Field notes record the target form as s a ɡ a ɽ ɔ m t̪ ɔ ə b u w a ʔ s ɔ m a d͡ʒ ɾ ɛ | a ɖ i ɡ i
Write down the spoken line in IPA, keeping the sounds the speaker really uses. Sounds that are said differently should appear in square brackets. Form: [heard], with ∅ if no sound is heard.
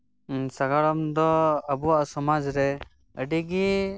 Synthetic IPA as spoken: s a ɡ a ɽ ɔ m [d̪] ɔ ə b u w a ʔ s ɔ m a d͡ʒ ɾ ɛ | [ə] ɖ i ɡ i